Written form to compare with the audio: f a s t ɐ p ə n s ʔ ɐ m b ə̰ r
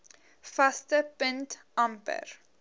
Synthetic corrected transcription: f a s t ə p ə n t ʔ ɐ m p ə̰ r